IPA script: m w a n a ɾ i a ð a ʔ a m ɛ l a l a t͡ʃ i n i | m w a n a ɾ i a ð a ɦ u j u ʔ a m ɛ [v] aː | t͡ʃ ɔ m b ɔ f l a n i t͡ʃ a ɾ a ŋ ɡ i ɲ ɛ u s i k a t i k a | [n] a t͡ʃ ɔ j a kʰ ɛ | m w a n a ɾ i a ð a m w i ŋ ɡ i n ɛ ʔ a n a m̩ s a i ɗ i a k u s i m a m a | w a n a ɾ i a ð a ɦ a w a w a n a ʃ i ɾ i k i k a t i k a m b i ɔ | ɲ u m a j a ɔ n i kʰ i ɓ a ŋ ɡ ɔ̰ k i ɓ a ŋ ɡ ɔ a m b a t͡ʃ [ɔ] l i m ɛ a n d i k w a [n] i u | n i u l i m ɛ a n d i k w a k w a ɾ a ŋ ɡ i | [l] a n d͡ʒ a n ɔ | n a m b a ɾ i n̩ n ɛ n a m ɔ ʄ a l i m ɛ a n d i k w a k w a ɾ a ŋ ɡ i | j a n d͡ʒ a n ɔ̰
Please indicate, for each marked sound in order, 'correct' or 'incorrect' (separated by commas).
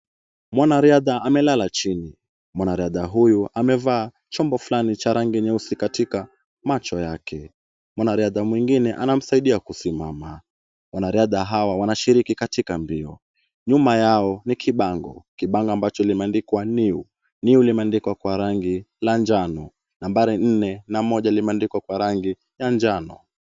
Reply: correct, incorrect, correct, correct, correct